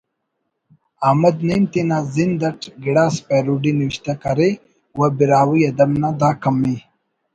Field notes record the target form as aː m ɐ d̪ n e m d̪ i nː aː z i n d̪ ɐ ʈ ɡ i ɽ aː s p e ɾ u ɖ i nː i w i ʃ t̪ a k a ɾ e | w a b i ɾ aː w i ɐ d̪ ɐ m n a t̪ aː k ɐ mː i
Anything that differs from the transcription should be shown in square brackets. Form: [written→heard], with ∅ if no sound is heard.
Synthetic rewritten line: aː m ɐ d̪ n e m [d̪→t̪] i [nː→n] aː z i n d̪ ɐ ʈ ɡ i ɽ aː s p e ɾ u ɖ i [nː→n] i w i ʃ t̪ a k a ɾ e | w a b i ɾ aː w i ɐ d̪ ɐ m n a [t̪→d̪] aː k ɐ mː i

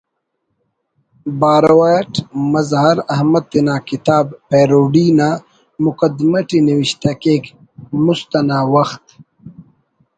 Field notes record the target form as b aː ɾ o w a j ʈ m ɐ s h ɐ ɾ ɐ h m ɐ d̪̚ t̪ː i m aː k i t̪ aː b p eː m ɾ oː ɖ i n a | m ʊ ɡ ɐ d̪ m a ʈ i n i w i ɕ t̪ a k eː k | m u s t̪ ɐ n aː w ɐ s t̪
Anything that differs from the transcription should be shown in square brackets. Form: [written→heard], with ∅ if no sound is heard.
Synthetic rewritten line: b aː ɾ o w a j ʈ m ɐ [s→z] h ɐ ɾ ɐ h m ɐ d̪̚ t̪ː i [m→n] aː k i t̪ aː b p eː [m→∅] ɾ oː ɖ i n a | m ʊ [ɡ→k] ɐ d̪ m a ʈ i n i w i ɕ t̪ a k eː k | m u s t̪ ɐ n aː w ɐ [s→x] t̪

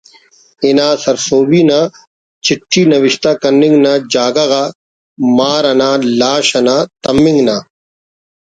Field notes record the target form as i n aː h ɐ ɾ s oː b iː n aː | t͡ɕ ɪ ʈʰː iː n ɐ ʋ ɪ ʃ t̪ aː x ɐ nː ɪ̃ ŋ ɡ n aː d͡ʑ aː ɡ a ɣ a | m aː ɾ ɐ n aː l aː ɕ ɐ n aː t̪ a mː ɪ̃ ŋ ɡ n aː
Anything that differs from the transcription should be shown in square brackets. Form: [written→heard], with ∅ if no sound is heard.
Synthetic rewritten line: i n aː [h→s] ɐ ɾ s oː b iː n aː | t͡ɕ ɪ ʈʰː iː n ɐ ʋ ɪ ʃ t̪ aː [x→k] ɐ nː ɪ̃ ŋ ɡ n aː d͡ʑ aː ɡ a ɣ a | m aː ɾ ɐ n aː l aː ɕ ɐ n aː t̪ [a→ɐ] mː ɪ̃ ŋ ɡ n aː

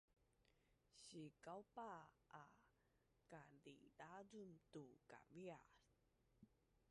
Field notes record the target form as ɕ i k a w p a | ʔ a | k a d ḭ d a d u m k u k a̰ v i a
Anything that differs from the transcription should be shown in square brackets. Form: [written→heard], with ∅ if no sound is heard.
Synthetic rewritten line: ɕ i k a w p a | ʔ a | k a d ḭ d a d u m [k→t] u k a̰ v i a

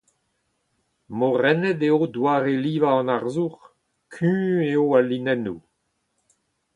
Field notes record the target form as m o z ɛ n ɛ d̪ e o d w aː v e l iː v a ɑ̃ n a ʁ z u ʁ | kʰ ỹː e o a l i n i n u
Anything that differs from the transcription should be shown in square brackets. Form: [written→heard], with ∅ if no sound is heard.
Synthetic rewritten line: m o [z→ʁ] ɛ n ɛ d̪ e o d w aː [v→ʁ] e l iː v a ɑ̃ n a ʁ z u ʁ | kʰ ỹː e o a l i n [i→ɛ] n u

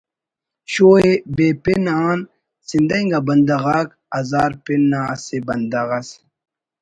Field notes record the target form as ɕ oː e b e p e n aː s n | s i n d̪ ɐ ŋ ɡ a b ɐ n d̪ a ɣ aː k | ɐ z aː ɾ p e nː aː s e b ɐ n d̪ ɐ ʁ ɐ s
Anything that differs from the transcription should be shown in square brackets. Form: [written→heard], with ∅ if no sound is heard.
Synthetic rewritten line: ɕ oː e b e p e n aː [s→∅] n | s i n d̪ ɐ ŋ ɡ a b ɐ n d̪ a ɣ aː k | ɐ z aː ɾ p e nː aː s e b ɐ n d̪ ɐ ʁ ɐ s

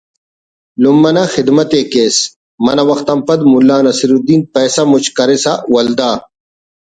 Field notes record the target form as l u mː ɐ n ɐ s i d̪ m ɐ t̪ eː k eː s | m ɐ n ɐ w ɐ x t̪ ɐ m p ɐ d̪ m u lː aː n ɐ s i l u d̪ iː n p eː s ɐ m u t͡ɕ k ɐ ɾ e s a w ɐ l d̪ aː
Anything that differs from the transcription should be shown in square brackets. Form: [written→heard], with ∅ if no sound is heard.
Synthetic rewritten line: l u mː ɐ n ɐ [s→x] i d̪ m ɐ t̪ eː k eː s | m ɐ n ɐ w ɐ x t̪ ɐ m p ɐ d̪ m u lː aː n ɐ s i [l→ɾ] u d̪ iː n p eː s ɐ m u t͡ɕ k ɐ ɾ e s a w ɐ l d̪ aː

